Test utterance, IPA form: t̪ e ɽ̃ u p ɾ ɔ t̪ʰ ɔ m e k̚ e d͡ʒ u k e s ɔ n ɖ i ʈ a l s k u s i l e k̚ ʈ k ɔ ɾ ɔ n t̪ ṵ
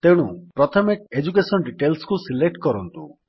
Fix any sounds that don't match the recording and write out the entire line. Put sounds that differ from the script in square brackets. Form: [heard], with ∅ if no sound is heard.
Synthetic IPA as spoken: t̪ e ɽ̃ u p ɾ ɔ t̪ʰ ɔ m e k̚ e d͡ʒ u k e s ɔ n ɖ i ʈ [e] l s k u s i l e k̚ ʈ k ɔ ɾ ɔ n t̪ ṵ